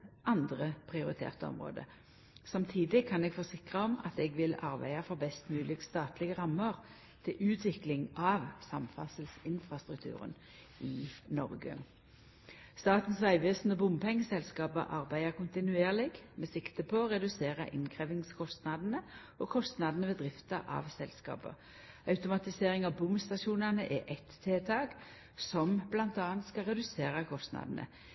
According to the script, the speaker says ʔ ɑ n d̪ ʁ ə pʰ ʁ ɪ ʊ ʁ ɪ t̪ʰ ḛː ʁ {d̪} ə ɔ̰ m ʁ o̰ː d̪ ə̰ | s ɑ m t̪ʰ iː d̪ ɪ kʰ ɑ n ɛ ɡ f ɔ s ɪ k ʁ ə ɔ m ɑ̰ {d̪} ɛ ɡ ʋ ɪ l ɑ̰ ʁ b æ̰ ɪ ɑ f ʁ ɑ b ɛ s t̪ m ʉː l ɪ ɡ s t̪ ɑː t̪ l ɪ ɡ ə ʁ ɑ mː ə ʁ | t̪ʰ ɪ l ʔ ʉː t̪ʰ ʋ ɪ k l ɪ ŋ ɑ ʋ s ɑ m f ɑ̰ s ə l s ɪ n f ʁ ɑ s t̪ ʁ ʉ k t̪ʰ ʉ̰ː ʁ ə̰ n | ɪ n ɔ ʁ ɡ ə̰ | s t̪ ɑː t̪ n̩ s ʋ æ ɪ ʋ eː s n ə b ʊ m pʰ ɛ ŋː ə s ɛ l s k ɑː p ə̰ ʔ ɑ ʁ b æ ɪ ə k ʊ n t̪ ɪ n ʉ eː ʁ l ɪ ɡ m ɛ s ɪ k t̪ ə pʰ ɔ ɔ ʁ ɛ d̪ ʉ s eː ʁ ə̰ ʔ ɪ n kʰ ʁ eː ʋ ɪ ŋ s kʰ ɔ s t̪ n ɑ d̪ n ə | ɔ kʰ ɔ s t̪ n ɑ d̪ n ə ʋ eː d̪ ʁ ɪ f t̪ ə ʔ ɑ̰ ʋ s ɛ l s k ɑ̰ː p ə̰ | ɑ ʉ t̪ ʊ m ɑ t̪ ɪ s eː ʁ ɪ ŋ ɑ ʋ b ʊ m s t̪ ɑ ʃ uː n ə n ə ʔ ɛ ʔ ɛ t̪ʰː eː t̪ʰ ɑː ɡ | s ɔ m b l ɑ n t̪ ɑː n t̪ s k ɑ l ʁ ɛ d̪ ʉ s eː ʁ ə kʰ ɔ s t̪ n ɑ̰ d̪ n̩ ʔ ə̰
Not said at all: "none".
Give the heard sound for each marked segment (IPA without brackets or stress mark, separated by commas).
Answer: t̪, t̪